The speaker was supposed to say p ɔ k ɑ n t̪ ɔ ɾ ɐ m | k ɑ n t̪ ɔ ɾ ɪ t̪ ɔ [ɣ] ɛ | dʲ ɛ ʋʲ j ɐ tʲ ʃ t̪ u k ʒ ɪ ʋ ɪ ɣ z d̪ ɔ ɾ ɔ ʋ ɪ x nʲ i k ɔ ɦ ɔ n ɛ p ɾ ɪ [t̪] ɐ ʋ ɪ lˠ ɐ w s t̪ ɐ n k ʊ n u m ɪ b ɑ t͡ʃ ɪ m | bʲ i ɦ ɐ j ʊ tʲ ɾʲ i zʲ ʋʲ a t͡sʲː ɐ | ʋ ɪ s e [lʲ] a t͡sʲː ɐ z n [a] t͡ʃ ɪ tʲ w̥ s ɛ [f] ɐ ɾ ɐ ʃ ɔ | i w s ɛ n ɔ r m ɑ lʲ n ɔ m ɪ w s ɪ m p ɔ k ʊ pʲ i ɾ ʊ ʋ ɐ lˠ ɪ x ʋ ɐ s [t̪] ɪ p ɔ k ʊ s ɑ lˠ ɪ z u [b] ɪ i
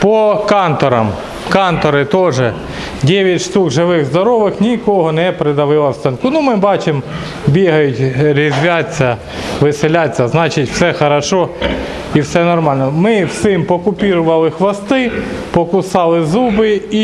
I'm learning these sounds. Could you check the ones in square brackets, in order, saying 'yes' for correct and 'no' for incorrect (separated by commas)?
no, no, yes, no, no, yes, yes